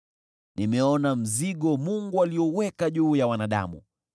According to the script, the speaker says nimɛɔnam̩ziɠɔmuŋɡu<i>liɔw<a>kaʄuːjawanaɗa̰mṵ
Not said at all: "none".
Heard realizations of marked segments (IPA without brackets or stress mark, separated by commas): a, ɛ